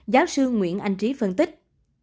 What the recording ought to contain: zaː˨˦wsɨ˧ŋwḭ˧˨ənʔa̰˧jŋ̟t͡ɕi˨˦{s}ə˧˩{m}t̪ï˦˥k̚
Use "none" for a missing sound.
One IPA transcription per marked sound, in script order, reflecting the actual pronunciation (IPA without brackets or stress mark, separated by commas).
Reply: f, n